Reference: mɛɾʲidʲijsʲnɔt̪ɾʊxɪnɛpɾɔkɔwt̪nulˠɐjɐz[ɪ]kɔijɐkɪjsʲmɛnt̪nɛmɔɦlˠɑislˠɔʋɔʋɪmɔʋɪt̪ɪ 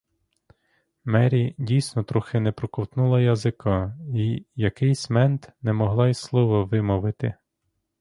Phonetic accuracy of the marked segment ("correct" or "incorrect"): correct